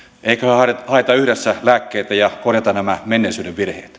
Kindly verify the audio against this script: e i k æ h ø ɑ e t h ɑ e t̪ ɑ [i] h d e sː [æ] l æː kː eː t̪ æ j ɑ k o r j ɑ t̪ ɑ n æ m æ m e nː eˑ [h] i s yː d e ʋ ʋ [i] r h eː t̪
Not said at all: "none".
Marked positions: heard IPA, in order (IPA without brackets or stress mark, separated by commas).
y, æ, none, i